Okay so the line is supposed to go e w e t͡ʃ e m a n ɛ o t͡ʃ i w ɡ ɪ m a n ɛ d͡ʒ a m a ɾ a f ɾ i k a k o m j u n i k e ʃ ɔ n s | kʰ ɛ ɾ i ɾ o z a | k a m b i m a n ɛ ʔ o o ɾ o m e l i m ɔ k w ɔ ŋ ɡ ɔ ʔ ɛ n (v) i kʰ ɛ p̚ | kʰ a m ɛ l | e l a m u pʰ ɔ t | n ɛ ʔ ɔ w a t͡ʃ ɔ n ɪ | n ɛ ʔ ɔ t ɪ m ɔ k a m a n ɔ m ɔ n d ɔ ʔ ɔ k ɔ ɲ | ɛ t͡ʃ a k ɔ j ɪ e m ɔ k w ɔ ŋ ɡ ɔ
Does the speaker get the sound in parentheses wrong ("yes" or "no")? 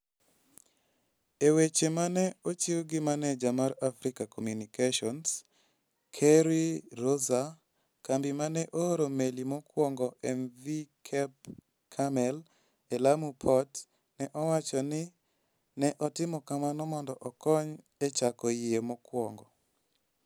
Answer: no